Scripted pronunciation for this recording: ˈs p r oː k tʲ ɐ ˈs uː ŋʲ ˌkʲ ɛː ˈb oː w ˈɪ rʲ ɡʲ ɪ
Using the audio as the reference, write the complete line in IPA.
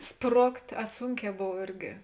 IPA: ˈs p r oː k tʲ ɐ ˈs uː ŋʲ ˌkʲ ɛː ˈb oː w ˈɪ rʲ ɡʲ ɪ